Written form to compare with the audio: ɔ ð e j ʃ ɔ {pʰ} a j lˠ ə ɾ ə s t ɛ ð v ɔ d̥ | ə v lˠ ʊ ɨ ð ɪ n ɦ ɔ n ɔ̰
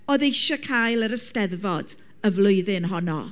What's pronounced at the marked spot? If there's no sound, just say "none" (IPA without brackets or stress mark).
kʰ